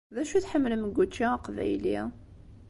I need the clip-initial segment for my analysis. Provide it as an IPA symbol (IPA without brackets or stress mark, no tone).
ð